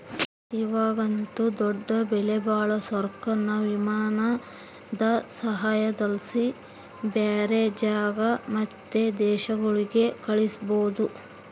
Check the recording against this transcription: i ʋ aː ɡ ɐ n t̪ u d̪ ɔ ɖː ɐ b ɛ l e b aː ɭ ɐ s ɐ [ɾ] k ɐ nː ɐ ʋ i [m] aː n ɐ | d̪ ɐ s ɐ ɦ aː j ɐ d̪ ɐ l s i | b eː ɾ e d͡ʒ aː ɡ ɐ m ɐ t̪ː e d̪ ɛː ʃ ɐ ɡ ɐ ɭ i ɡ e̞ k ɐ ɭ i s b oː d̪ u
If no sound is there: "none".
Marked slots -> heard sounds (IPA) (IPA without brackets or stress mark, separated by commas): ɾ, m